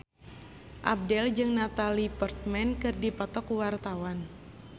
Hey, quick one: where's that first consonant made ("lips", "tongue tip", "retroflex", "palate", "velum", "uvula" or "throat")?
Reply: throat